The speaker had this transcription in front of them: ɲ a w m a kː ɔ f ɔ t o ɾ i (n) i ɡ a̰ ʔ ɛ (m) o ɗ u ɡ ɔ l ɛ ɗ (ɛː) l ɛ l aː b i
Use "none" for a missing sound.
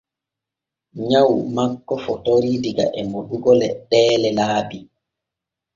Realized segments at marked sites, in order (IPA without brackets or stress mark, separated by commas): d, m, ɛː